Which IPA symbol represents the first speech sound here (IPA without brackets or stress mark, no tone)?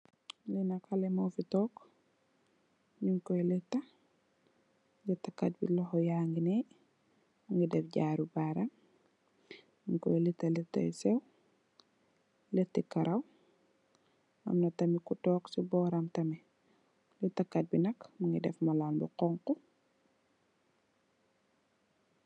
l